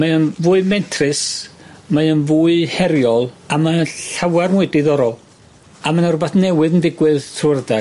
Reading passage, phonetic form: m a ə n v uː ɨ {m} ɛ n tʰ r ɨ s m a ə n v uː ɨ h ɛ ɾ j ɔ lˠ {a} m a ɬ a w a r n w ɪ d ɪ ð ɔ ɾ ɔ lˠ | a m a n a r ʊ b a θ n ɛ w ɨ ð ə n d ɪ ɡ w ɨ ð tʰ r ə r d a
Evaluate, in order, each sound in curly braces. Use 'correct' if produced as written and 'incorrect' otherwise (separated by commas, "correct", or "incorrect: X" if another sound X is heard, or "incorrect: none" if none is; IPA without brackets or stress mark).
correct, correct